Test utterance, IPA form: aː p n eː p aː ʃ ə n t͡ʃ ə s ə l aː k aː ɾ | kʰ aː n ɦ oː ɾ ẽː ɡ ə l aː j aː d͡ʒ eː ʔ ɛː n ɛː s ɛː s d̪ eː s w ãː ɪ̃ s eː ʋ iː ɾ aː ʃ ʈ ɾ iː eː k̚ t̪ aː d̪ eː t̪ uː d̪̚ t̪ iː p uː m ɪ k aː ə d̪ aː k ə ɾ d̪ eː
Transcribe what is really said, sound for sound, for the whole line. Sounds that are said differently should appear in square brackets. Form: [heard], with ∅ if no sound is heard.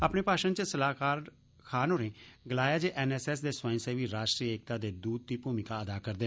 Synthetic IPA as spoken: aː p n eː p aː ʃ ə n t͡ʃ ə s ə l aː k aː ɾ | kʰ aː n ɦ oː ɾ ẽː ɡ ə l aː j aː d͡ʒ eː ʔ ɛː n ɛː s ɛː s d̪ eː s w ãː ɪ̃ s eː ʋ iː ɾ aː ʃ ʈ ɾ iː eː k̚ t̪ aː d̪ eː [d̪] uː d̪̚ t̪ iː p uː m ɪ k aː ə d̪ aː k ə ɾ d̪ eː